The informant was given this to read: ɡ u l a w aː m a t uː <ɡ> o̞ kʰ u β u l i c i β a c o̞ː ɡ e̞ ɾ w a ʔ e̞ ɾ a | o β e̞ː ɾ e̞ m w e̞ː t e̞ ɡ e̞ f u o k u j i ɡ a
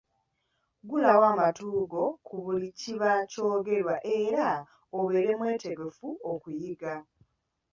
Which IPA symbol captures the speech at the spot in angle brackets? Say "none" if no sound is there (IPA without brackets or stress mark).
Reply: ɡ